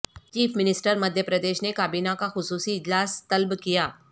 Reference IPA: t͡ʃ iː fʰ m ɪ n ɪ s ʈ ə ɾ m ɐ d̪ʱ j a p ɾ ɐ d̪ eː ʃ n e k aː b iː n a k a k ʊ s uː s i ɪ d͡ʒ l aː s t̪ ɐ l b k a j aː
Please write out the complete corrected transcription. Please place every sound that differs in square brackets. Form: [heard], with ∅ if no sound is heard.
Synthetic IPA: t͡ʃ iː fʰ m ɪ n ɪ s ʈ ə ɾ m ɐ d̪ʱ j [ə] p ɾ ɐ d̪ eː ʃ n e k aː b iː n a k a [x] ʊ s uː s i ɪ d͡ʒ l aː s t̪ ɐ l b k [i] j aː